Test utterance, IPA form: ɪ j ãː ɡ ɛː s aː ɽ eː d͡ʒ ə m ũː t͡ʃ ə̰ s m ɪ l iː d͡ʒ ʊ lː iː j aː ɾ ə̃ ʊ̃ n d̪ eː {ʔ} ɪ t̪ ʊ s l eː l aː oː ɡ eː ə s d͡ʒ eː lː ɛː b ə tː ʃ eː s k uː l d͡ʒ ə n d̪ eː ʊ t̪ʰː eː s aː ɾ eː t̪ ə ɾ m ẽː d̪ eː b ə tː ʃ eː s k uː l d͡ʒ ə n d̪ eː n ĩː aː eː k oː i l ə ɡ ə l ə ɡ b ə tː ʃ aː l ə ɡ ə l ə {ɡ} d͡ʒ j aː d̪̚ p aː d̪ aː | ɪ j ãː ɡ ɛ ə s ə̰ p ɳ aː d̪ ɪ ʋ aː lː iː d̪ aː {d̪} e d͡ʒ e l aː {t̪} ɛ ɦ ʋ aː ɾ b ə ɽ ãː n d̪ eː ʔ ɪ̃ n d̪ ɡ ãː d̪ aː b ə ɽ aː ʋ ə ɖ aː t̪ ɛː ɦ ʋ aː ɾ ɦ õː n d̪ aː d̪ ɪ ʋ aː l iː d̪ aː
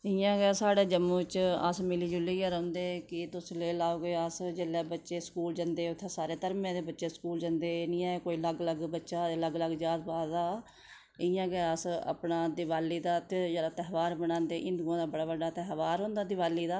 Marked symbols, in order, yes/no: no, yes, no, yes

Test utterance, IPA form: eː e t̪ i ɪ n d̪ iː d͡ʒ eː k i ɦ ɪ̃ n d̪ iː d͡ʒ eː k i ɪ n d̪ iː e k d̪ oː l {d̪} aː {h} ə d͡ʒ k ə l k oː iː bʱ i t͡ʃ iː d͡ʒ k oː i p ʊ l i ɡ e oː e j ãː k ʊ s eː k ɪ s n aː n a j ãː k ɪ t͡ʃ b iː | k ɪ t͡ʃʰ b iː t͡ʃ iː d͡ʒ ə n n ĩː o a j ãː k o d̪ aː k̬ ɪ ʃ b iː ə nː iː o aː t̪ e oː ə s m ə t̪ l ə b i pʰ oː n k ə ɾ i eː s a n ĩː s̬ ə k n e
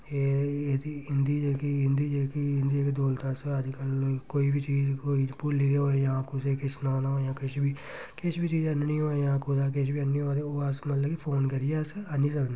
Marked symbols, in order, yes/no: no, no

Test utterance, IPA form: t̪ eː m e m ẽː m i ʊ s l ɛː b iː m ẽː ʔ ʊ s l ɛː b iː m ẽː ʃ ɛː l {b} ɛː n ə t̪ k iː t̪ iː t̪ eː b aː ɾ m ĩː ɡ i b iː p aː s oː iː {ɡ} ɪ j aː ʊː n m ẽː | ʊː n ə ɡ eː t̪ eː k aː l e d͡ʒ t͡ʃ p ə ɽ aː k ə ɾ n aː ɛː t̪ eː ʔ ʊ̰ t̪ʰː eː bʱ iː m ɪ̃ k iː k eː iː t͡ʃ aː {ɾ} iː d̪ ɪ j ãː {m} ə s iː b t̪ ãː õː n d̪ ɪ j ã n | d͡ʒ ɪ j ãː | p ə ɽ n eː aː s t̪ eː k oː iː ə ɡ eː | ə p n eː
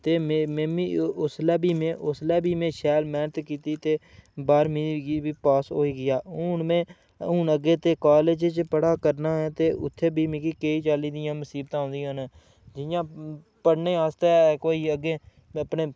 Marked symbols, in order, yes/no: no, yes, no, yes

